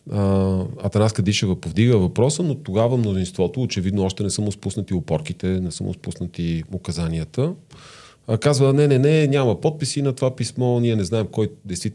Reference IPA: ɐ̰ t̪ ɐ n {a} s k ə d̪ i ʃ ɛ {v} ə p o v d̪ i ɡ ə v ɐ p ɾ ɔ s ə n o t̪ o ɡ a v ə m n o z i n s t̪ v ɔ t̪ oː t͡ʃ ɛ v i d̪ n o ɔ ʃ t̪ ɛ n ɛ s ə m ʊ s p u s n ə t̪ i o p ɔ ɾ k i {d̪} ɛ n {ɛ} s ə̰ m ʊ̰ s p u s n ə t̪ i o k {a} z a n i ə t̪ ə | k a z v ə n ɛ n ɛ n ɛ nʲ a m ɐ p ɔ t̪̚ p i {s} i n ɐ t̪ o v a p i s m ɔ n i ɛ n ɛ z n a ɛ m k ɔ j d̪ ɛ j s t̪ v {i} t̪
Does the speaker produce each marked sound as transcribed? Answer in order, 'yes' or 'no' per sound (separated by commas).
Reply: yes, yes, no, yes, no, yes, yes